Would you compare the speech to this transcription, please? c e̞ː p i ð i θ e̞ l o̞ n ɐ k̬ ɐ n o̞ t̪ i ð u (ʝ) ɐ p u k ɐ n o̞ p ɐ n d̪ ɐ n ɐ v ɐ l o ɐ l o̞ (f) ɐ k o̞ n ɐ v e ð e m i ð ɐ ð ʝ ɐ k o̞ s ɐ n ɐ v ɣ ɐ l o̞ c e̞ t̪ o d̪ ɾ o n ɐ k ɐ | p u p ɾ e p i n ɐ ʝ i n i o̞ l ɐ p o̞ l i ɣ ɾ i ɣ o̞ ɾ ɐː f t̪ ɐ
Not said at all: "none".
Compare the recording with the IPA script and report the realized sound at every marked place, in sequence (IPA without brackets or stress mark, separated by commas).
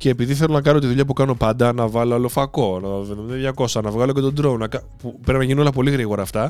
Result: ʎ, f